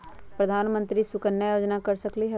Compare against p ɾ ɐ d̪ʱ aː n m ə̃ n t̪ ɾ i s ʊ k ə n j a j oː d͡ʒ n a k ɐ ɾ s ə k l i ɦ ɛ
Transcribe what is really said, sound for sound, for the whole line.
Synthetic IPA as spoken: p ɾ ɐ d̪ʱ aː n m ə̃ n t̪ ɾ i s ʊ k ə n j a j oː d͡ʒ n a k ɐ ɾ s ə k l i ɦ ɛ